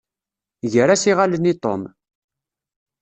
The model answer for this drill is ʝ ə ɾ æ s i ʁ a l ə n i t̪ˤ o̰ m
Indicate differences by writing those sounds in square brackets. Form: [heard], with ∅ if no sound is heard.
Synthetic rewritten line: ʝ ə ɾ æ s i ʁ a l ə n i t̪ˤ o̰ m